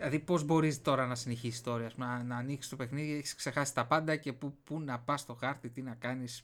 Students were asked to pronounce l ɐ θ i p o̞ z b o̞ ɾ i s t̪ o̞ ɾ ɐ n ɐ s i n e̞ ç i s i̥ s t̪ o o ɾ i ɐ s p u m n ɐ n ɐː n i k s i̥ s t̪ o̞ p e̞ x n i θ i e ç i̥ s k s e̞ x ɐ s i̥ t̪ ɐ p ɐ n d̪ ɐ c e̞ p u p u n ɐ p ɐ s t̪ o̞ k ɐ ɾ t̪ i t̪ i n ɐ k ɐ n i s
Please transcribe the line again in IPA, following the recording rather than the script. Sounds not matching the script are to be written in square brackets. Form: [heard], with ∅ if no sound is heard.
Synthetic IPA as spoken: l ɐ [ð] i p o̞ z b o̞ ɾ i s t̪ o̞ ɾ ɐ n ɐ s i n e̞ ç i s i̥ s t̪ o o ɾ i ɐ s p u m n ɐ n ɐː n i k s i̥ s t̪ o̞ p e̞ x n i [ð] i e ç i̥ s k s e̞ x ɐ s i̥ t̪ ɐ p ɐ n d̪ ɐ c e̞ p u p u n ɐ p ɐ s t̪ o̞ [x] ɐ ɾ t̪ i t̪ i n ɐ k ɐ n i s